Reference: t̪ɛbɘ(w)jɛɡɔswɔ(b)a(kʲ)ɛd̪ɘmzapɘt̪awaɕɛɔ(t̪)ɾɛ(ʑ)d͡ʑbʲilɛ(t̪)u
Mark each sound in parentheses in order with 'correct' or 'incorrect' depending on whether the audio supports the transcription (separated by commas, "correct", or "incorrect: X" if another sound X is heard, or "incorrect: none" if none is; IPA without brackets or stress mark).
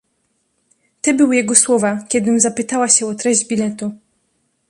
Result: correct, incorrect: v, correct, correct, correct, correct